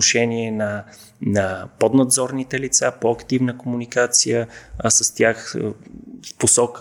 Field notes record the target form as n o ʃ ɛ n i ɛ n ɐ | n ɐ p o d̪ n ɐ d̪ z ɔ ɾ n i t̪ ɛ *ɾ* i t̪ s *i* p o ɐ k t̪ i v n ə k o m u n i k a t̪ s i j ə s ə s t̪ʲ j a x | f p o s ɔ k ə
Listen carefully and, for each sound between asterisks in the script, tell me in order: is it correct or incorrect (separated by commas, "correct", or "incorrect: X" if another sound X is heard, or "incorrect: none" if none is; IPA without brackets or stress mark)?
incorrect: l, incorrect: a